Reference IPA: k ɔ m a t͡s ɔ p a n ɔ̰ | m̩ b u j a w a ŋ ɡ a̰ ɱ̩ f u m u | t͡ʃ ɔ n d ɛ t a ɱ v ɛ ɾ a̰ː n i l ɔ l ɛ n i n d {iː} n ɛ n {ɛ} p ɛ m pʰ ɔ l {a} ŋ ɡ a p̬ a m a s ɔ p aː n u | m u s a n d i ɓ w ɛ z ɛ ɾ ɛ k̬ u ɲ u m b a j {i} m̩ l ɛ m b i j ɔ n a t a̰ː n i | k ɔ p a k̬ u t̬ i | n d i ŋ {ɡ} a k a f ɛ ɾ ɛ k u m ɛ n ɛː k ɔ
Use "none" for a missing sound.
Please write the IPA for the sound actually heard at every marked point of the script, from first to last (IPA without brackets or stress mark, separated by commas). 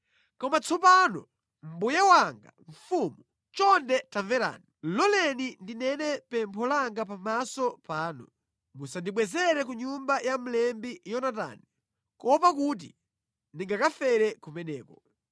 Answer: i, ɛ, a, a, ɡ